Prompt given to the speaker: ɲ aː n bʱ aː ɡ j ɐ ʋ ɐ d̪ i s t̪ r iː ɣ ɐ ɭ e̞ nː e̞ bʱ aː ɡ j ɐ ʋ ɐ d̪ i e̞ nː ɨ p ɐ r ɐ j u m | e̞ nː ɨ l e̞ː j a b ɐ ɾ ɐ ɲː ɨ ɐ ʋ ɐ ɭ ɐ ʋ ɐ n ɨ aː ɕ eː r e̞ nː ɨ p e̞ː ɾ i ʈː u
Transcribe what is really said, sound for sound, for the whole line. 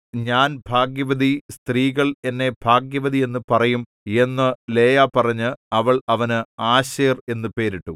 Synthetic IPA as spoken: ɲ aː n bʱ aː ɡ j ɐ ʋ ɐ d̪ i s t̪ r iː ɣ ɐ ɭ e̞ nː e̞ bʱ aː ɡ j ɐ ʋ ɐ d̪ i e̞ nː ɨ p ɐ r ɐ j u m | e̞ nː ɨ l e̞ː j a p ɐ r ɐ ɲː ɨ ɐ ʋ ɐ ɭ ɐ ʋ ɐ n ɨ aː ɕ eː r e̞ nː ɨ p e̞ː ɾ i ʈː u